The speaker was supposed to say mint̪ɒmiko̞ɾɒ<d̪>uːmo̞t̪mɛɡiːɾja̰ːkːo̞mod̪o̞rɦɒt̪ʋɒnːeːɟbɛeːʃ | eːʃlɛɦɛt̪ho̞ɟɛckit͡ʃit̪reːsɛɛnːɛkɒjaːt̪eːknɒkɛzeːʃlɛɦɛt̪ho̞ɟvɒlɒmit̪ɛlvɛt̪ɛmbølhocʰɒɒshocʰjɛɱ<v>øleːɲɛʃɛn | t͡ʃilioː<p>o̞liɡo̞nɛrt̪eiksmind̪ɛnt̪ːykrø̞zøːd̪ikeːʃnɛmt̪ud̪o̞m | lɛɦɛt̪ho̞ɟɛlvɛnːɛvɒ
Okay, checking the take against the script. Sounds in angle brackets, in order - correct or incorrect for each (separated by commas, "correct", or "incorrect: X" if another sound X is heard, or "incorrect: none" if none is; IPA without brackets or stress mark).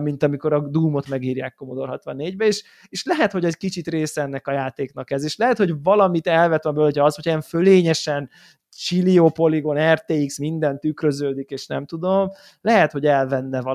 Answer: correct, incorrect: f, correct